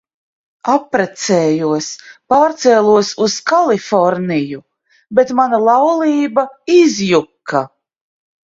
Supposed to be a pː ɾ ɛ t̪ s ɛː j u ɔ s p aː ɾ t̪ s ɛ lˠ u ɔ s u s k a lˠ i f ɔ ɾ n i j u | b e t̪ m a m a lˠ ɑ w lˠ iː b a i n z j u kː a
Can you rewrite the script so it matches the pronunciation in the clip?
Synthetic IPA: a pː ɾ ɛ t̪ s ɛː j u ɔ s p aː ɾ t̪ s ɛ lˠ u ɔ s u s k a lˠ i f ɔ ɾ n i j u | b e t̪ m a n a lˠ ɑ w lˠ iː b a i z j u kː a